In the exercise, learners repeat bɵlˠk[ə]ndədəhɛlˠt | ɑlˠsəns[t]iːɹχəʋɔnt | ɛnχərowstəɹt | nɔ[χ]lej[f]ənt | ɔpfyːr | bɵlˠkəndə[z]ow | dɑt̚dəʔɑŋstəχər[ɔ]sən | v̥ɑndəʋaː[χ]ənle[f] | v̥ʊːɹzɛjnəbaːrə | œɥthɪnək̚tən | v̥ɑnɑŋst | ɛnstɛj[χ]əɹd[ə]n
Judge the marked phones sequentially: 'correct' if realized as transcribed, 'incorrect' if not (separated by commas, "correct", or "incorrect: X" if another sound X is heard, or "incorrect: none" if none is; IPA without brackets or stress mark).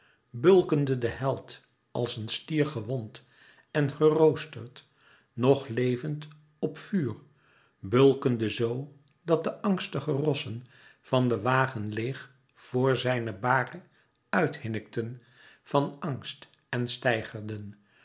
correct, correct, correct, incorrect: v, correct, correct, correct, incorrect: χ, correct, correct